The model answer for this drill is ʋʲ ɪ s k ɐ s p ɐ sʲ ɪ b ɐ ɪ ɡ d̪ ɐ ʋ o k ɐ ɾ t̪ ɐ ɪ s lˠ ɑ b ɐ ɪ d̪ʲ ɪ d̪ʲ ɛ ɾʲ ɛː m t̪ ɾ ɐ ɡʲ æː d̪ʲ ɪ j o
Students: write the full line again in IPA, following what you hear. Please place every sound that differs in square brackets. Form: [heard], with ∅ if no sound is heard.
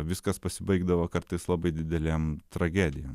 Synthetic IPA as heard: ʋʲ ɪ s k ɐ s p ɐ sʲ ɪ b ɐ ɪ ɡ d̪ ɐ ʋ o k ɐ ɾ t̪ ɐ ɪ s lˠ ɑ b ɐ ɪ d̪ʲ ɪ d̪ʲ ɛ [lʲ] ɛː m t̪ ɾ ɐ ɡʲ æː d̪ʲ ɪ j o